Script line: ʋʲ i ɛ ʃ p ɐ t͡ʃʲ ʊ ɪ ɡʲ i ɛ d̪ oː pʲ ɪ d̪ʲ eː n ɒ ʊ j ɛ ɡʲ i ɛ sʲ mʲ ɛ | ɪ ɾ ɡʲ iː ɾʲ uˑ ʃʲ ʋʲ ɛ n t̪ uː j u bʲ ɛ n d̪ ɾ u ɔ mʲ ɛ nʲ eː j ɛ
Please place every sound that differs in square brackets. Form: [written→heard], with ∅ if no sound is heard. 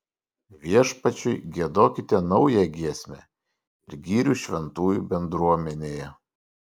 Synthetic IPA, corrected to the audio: ʋʲ i ɛ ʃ p ɐ t͡ʃʲ ʊ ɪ ɡʲ i ɛ d̪ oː [pʲ→kʲ] ɪ [d̪ʲ→t̪ʲ] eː n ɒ ʊ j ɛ ɡʲ i ɛ sʲ mʲ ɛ | ɪ ɾ ɡʲ iː ɾʲ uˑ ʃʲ ʋʲ ɛ n t̪ uː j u bʲ ɛ n d̪ ɾ u ɔ mʲ ɛ nʲ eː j ɛ